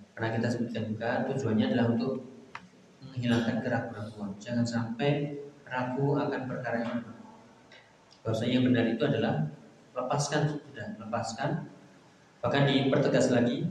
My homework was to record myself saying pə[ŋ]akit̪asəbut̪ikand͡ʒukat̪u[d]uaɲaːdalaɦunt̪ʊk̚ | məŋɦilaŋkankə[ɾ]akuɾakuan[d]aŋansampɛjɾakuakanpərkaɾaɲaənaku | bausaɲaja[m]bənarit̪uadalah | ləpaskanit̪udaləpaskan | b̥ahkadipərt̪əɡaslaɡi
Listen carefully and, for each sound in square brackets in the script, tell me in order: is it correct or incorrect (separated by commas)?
incorrect, incorrect, correct, incorrect, incorrect